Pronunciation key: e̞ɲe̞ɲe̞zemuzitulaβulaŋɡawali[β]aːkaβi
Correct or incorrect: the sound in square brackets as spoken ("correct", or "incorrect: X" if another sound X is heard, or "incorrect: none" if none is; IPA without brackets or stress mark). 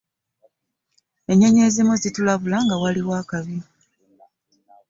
incorrect: w